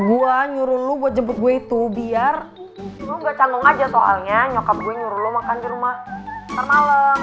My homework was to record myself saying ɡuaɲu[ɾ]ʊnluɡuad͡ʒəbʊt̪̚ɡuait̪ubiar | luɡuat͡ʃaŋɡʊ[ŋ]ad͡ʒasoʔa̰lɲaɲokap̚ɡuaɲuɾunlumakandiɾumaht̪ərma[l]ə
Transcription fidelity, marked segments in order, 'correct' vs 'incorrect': correct, correct, correct

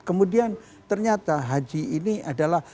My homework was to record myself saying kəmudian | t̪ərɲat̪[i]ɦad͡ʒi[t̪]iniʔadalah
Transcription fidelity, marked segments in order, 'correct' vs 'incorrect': incorrect, incorrect

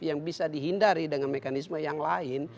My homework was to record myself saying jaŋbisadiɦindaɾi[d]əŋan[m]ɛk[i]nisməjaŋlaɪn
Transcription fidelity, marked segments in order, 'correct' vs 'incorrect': correct, correct, incorrect

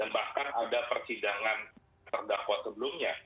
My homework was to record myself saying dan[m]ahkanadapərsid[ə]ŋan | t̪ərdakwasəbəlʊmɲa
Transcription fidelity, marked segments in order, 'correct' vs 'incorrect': incorrect, incorrect

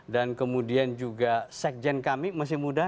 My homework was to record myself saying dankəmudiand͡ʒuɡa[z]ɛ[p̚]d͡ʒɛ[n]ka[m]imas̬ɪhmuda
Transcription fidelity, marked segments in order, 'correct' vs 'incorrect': incorrect, incorrect, correct, correct

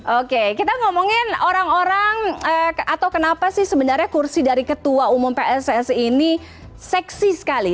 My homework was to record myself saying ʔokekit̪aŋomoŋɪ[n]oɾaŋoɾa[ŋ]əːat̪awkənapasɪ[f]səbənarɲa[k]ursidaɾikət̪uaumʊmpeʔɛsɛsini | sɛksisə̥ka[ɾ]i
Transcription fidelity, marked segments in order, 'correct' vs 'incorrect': correct, correct, incorrect, correct, incorrect

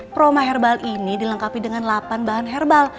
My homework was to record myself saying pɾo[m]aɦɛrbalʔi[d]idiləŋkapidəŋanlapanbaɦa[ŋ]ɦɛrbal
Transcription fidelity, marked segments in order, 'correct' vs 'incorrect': correct, incorrect, incorrect

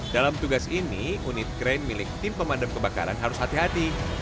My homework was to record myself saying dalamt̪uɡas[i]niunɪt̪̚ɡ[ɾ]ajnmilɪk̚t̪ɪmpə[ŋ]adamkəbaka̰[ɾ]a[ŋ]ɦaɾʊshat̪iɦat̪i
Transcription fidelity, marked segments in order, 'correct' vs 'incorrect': correct, correct, incorrect, correct, incorrect

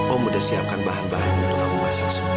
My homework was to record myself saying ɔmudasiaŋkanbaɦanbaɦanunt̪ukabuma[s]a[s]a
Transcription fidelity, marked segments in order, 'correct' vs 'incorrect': correct, correct

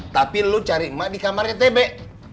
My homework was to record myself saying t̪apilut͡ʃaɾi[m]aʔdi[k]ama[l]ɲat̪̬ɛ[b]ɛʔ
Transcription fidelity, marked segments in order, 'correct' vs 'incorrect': correct, correct, incorrect, correct

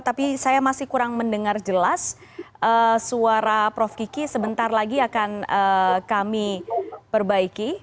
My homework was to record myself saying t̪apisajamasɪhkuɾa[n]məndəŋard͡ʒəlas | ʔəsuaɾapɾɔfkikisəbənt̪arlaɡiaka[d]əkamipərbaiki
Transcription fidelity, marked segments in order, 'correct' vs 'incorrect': incorrect, incorrect

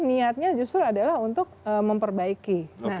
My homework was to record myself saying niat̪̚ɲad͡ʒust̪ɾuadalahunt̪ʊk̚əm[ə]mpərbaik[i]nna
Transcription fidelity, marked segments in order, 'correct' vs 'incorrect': correct, correct

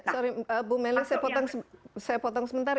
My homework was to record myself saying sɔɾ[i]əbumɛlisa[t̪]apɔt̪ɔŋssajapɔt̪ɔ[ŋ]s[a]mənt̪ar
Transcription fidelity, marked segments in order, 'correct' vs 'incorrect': correct, incorrect, correct, incorrect

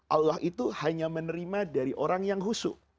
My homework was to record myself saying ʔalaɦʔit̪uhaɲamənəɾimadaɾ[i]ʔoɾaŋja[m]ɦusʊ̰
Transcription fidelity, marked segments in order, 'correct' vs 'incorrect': correct, incorrect

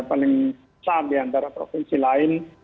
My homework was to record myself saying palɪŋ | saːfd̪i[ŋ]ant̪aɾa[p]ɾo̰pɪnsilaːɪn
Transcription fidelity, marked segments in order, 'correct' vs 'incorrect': incorrect, correct

